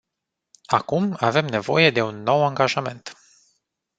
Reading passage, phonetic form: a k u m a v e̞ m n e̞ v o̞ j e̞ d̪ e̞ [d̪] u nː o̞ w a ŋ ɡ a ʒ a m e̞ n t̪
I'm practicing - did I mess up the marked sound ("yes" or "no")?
yes